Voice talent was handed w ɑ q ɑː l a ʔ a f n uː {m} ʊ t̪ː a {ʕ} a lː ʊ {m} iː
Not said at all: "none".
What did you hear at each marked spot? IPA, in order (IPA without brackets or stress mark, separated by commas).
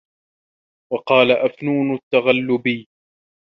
n, ɣ, b